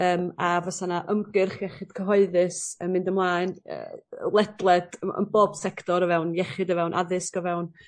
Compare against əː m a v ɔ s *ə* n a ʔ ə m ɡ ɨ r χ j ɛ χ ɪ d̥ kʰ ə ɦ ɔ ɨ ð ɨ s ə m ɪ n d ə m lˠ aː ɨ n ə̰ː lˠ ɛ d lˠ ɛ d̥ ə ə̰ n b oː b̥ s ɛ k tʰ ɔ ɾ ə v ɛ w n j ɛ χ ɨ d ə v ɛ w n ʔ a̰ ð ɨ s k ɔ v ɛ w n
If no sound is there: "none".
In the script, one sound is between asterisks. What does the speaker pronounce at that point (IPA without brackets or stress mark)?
a